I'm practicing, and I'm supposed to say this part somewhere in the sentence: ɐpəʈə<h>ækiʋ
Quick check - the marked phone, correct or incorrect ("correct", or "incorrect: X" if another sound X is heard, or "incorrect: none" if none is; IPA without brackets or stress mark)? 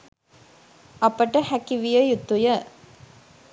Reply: correct